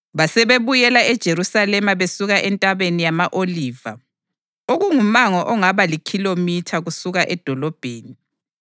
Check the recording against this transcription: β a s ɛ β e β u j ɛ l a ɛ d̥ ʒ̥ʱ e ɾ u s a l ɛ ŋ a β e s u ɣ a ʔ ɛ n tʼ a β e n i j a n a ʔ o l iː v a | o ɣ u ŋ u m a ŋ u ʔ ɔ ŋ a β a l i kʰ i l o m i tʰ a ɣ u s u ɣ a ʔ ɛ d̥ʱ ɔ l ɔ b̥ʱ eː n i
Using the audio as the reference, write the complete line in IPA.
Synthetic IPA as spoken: β a s ɛ β e β u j ɛ l a ɛ d̥ ʒ̥ʱ e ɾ u s a l ɛ m a β e s u ɣ a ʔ ɛ n tʼ a β e n i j a m a ʔ o l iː v a | o ɣ u ŋ u m a ŋ ɔ ʔ ɔ ŋ a β a l i kʰ i l o m i tʰ a ɣ u s u ɣ a ʔ ɛ d̥ʱ ɔ l ɔ b̥ʱ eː n i